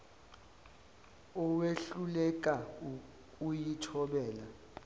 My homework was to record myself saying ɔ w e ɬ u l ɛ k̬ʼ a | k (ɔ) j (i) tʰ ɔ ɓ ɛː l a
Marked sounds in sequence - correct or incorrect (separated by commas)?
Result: incorrect, correct